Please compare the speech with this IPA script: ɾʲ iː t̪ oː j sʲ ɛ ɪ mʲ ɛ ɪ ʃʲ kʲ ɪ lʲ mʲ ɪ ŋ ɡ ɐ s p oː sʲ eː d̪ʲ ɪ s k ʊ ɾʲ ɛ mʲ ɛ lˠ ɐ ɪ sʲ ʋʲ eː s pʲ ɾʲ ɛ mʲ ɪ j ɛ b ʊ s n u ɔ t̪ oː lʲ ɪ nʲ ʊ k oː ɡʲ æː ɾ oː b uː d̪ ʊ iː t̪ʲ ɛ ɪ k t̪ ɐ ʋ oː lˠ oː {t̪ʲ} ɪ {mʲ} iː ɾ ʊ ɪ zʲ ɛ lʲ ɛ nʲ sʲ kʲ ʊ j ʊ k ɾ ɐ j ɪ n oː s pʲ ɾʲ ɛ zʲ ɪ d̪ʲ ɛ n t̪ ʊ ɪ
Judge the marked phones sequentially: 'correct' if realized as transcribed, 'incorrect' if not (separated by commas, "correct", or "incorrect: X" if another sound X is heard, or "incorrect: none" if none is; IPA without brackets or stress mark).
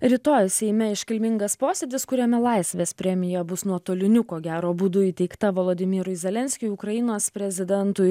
incorrect: d̪ʲ, correct